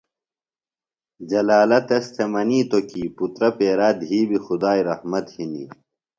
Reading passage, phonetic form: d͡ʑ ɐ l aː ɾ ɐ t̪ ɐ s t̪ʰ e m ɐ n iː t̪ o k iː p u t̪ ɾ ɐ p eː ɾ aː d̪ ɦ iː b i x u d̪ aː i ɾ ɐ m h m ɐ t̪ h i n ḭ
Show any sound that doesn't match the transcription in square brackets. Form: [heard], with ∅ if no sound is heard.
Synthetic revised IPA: d͡ʑ ɐ l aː [l] ɐ t̪ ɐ s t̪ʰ e m ɐ n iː t̪ o k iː p u t̪ ɾ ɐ p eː ɾ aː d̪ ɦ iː b i x u d̪ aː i ɾ ɐ [∅] h m ɐ t̪ h i n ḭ